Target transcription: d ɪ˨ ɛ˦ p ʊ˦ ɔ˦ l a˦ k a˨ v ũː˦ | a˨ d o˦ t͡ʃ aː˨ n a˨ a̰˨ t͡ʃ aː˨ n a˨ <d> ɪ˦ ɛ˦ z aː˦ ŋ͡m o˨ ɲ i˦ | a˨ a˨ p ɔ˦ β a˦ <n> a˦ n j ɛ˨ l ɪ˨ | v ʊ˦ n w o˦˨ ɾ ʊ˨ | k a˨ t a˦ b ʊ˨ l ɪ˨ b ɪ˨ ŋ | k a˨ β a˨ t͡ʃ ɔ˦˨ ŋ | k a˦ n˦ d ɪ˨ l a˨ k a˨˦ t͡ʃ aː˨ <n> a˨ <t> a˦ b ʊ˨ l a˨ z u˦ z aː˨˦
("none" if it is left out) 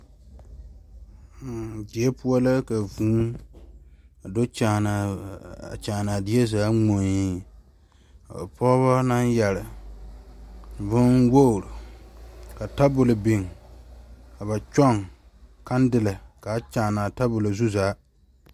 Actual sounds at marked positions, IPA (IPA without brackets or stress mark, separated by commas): d, n, n, t